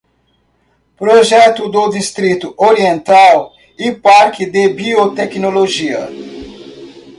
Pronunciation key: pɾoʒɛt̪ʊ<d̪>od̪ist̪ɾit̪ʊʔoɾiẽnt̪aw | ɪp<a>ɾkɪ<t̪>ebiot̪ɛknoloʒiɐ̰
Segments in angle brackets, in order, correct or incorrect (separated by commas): correct, correct, incorrect